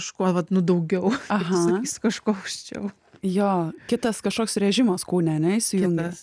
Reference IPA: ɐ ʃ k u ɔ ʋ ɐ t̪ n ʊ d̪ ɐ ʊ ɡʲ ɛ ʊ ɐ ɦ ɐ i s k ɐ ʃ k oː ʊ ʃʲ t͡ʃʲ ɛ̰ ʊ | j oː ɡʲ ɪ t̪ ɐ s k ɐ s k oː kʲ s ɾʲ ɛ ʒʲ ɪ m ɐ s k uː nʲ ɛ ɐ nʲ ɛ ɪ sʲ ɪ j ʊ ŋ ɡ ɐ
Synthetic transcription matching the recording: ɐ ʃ k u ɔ ʋ ɐ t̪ n ʊ d̪ ɐ ʊ ɡʲ ɛ ʊ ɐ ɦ ɐ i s k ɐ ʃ k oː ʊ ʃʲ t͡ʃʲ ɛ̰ ʊ | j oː kʲ ɪ t̪ ɐ s k ɐ ʃ k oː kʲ s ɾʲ ɛ ʒʲ ɪ m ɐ s k uː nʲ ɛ ɐ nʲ ɛ ɪ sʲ ɪ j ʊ ŋ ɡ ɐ